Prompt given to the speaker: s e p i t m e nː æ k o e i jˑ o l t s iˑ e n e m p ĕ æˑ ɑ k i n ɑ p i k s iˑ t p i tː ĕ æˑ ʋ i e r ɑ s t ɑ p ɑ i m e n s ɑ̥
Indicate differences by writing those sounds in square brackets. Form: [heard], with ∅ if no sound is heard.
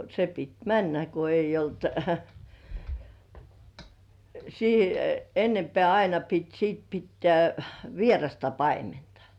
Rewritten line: s e p i t m [æ] nː æ k o e i jˑ o l t s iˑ e [nː] e m p ĕ æˑ ɑ [∅] i n ɑ p i [t] s iˑ t p i tː ĕ æˑ ʋ i e r ɑ s t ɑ p ɑ i m e n [t] ɑ̥